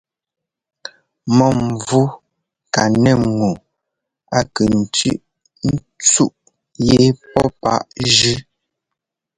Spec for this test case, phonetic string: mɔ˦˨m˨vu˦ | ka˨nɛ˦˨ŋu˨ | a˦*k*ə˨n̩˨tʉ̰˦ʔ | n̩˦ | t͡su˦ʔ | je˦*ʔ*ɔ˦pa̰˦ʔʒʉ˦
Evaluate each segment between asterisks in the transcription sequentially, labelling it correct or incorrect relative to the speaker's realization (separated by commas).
correct, incorrect